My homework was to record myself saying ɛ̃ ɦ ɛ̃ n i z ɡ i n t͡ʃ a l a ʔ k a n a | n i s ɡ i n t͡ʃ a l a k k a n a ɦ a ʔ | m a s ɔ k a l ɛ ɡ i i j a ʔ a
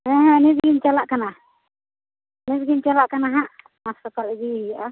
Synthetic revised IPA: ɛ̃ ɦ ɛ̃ n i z ɡ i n t͡ʃ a l a ʔ k a n a | n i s ɡ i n t͡ʃ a l a ʔ k a n a ɦ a ʔ | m a s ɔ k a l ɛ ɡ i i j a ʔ a